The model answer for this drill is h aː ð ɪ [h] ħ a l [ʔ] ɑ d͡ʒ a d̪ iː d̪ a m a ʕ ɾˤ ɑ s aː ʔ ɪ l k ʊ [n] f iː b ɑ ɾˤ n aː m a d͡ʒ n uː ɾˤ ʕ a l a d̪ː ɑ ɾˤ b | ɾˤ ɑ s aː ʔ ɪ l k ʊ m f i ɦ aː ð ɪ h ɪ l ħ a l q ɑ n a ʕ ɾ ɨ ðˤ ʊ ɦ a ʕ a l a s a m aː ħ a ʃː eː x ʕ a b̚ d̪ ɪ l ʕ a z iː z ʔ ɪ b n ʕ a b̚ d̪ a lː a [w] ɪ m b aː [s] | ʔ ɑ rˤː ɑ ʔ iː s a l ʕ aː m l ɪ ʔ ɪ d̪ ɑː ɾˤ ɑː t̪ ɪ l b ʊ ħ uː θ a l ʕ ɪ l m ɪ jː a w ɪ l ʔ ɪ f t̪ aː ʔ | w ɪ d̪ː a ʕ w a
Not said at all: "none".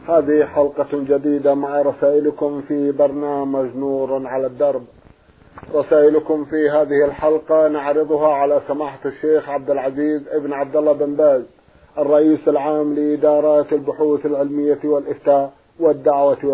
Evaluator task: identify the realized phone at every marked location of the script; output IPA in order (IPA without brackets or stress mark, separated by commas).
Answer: h, q, m, b, z